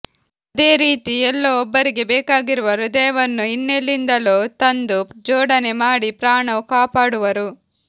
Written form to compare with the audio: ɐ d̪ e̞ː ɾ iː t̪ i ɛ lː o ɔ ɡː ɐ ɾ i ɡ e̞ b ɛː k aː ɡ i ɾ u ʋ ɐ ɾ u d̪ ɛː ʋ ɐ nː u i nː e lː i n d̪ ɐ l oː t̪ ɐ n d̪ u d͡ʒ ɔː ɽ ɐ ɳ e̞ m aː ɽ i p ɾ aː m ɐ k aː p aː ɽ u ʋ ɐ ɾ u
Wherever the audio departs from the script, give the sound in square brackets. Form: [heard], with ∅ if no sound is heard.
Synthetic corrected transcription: ɐ d̪ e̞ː ɾ iː t̪ i ɛ lː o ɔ [bː] ɐ ɾ i ɡ e̞ b ɛː k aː ɡ i ɾ u ʋ ɐ ɾ u d̪ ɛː ʋ ɐ nː u i nː e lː i n d̪ ɐ l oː t̪ ɐ n d̪ u d͡ʒ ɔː ɽ ɐ [n] e̞ m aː ɽ i p ɾ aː [ɳ] ɐ k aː p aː ɽ u ʋ ɐ ɾ u

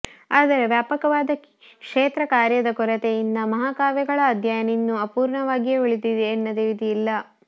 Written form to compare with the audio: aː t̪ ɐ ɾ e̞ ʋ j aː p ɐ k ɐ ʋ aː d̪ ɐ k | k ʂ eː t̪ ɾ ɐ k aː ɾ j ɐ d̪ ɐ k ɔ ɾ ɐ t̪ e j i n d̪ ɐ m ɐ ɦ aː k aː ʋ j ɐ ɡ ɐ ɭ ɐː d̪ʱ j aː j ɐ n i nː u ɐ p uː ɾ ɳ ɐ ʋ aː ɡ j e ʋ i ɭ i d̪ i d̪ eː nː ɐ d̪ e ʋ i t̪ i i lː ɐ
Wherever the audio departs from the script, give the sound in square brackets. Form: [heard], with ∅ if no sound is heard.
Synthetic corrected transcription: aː [d̪] ɐ ɾ e̞ ʋ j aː p ɐ k ɐ ʋ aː d̪ ɐ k | k ʂ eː t̪ ɾ ɐ k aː ɾ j ɐ d̪ ɐ k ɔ ɾ ɐ t̪ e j i n d̪ ɐ m ɐ ɦ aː k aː ʋ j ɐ ɡ ɐ ɭ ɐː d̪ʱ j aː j ɐ n i nː u ɐ p uː ɾ ɳ ɐ ʋ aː ɡ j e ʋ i ɭ i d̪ i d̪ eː nː ɐ d̪ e ʋ i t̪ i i lː ɐ

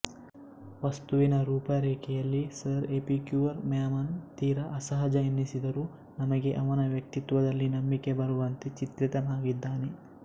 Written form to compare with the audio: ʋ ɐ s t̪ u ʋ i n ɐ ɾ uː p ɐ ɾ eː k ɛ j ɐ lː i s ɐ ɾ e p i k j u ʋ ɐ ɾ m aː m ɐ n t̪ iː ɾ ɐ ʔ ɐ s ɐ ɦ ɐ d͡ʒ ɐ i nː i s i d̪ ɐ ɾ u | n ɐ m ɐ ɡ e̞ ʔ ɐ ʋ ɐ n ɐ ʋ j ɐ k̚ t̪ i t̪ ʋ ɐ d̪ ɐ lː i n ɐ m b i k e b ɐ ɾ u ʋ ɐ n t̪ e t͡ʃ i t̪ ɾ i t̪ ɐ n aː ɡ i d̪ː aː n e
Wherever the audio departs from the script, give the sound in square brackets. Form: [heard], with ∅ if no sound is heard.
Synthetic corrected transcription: ʋ ɐ s t̪ u ʋ i n ɐ ɾ uː p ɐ ɾ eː k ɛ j ɐ lː i s ɐ ɾ e p i k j u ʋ ɐ ɾ m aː m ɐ n t̪ iː ɾ ɐ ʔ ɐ s ɐ ɦ ɐ d͡ʒ ɐ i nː i s i d̪ ɐ ɾ u | n ɐ m ɐ ɡ e̞ ʔ ɐ ʋ ɐ n ɐ ʋ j ɐ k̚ t̪ i t̪ ʋ ɐ d̪ ɐ lː i n ɐ m b i k e b ɐ ɾ u ʋ ɐ n t̪ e t͡ʃ i t̪ ɾ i t̪ ɐ n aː ɡ i d̪ː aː n e

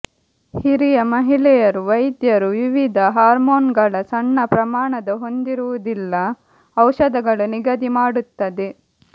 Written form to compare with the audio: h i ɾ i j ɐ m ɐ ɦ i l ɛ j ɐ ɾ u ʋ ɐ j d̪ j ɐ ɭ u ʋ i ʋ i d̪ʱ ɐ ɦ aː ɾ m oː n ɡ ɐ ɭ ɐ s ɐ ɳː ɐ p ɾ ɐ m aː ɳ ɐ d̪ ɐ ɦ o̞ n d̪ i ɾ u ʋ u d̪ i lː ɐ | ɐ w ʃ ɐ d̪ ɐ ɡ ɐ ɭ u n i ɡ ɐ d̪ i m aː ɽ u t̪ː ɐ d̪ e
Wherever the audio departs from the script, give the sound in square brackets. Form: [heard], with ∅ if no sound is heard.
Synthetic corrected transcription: h i ɾ i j ɐ m ɐ ɦ i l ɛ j ɐ ɾ u ʋ ɐ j d̪ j ɐ [ɾ] u ʋ i ʋ i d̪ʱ ɐ ɦ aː ɾ m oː n ɡ ɐ ɭ ɐ s ɐ ɳː ɐ p ɾ ɐ m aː ɳ ɐ d̪ ɐ ɦ o̞ n d̪ i ɾ u ʋ u d̪ i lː ɐ | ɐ w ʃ ɐ d̪ ɐ ɡ ɐ ɭ u n i ɡ ɐ d̪ i m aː ɽ u t̪ː ɐ d̪ e

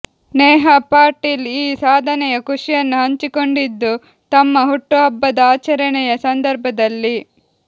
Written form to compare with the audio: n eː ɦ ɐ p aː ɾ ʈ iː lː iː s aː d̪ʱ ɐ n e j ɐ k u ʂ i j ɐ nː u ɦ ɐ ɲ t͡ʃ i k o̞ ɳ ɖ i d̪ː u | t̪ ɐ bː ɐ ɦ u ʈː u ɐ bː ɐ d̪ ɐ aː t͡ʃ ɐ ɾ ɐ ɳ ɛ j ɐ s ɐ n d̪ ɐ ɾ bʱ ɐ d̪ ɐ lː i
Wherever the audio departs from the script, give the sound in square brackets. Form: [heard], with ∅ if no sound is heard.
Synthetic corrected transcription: n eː ɦ ɐ p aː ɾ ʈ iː [l] iː s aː d̪ʱ ɐ n [ɛ] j ɐ k u ʂ i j ɐ nː u ɦ ɐ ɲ t͡ʃ i k o̞ ɳ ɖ i d̪ː u | t̪ ɐ [mː] ɐ ɦ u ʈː u ɐ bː ɐ d̪ ɐ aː t͡ʃ ɐ ɾ ɐ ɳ ɛ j ɐ s ɐ n d̪ ɐ ɾ bʱ ɐ d̪ ɐ lː i

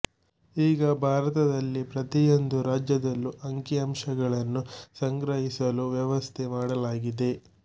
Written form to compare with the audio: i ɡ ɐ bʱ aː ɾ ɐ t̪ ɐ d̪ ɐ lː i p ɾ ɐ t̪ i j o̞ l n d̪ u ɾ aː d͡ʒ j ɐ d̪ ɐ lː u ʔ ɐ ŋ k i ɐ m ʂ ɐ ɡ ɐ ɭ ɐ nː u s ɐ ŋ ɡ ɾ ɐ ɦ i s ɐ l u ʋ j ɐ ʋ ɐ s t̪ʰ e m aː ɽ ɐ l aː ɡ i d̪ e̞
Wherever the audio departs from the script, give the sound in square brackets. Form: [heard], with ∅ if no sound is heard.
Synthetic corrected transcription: [iː] ɡ ɐ bʱ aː ɾ ɐ t̪ ɐ d̪ ɐ lː i p ɾ ɐ t̪ i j o̞ [∅] n d̪ u ɾ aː d͡ʒ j ɐ d̪ ɐ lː u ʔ ɐ ŋ k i ɐ m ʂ ɐ ɡ ɐ ɭ ɐ nː u s ɐ ŋ ɡ ɾ ɐ ɦ i s ɐ l u ʋ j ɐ ʋ ɐ s t̪ʰ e m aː ɽ ɐ l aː ɡ i d̪ e̞

